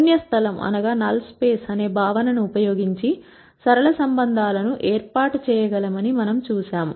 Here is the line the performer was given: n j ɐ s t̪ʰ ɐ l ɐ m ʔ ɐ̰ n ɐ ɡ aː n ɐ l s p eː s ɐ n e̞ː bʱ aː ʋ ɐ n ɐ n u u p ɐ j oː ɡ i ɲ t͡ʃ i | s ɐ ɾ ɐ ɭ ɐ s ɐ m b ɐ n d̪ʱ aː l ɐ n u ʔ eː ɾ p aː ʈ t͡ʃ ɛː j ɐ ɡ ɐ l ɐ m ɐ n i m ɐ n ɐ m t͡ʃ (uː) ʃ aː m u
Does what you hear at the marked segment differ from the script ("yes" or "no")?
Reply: no